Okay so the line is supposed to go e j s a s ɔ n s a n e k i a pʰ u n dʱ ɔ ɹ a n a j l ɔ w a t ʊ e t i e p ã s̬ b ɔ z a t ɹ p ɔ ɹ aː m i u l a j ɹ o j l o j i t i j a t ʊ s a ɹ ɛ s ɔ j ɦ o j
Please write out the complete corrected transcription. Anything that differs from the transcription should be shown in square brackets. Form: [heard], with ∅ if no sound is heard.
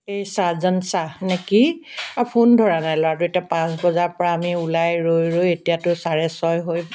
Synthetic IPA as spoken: e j s a [z] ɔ n s a n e k i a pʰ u n dʱ ɔ ɹ a n a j l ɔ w a t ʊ e t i [a] p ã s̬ b ɔ z a [∅] ɹ p ɔ ɹ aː m i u l a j ɹ o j [ɹ] o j [e] t i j a t ʊ s a ɹ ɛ s ɔ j ɦ o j